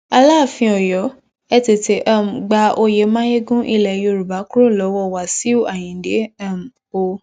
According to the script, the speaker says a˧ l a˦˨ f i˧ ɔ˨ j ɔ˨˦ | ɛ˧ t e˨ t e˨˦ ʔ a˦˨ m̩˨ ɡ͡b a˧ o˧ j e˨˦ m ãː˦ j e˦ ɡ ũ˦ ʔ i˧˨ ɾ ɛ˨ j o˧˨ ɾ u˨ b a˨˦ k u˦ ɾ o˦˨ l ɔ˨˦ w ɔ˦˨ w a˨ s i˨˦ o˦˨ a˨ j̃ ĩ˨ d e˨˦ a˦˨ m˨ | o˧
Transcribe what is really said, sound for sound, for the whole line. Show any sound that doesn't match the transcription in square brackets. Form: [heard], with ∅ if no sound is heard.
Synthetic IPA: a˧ l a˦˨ f [ĩ˧] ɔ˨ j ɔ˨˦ | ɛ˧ t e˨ t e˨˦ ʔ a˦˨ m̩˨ ɡ͡b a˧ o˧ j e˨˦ m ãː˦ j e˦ ɡ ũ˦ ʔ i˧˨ [l] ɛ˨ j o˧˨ ɾ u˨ b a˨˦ k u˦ ɾ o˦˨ l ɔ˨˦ w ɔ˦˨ w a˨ s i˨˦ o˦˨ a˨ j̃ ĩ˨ d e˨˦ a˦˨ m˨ | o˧